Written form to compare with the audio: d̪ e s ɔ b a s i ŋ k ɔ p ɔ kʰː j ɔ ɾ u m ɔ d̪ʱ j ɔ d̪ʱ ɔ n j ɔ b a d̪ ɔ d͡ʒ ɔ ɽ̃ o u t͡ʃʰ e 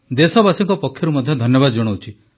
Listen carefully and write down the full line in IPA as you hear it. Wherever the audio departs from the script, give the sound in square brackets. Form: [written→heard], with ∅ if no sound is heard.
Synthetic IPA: d̪ e s ɔ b a s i ŋ k ɔ p ɔ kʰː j ɔ ɾ u m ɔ d̪ʱ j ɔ d̪ʱ ɔ n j ɔ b a d̪ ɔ d͡ʒ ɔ ɽ̃ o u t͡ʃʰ [e→i]